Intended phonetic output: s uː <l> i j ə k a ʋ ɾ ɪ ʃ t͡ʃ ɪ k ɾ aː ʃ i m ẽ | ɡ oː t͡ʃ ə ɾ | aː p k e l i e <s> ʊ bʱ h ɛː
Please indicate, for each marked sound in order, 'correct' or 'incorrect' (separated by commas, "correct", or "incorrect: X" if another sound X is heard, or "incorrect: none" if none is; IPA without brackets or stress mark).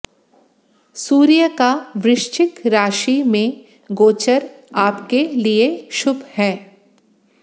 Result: incorrect: ɾ, incorrect: ʃ